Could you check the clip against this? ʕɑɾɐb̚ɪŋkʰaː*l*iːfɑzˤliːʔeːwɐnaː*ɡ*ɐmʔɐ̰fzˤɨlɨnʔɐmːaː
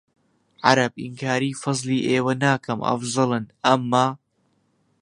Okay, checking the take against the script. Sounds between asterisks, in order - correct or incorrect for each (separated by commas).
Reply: incorrect, incorrect